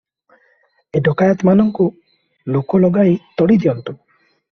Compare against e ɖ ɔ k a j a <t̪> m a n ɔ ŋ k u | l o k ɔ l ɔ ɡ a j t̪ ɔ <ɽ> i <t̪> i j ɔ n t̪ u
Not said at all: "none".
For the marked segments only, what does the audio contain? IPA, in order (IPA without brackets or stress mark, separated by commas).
t̪, ɽ, d̪